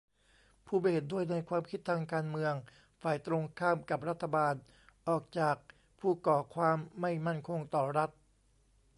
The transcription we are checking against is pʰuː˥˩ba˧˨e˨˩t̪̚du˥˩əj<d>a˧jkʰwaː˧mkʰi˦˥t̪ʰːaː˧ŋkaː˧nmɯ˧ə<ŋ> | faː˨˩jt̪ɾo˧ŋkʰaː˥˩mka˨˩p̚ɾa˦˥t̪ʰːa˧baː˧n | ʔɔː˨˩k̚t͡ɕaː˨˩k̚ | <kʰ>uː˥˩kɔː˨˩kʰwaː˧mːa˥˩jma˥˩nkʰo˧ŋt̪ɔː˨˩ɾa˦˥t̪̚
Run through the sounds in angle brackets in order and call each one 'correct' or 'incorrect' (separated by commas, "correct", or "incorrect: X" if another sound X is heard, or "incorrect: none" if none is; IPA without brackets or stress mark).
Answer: incorrect: n, correct, incorrect: pʰ